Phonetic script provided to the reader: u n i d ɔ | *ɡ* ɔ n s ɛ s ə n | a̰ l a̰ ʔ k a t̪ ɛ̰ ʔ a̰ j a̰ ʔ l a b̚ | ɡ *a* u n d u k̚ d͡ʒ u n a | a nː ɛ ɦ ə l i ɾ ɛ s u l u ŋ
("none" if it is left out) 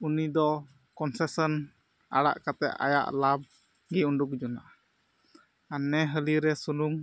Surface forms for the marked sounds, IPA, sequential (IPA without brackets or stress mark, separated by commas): k, i